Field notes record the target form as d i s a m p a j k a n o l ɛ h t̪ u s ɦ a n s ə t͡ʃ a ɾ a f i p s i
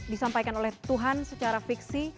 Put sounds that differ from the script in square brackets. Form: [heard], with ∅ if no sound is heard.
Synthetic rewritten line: d i s a m p a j k a n o l ɛ h t̪ u [∅] ɦ a n s ə t͡ʃ a ɾ a f i [k] s i